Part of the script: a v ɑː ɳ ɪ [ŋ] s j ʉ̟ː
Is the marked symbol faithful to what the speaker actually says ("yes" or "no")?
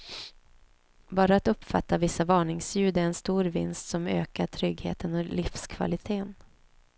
yes